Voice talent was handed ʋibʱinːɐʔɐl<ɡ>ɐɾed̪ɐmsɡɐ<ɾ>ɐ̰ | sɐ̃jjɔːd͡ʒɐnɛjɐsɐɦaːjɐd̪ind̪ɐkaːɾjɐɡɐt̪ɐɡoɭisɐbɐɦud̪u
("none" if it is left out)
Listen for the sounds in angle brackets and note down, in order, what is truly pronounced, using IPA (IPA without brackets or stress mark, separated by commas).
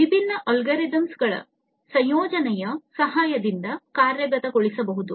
ɡ, ɭ